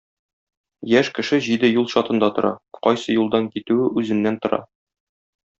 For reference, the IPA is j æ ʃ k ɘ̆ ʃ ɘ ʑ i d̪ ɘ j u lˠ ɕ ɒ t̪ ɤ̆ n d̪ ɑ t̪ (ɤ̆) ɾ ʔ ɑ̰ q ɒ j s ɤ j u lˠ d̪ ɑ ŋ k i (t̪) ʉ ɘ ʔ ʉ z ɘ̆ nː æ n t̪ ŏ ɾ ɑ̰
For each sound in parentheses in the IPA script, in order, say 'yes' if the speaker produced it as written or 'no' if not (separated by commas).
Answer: no, yes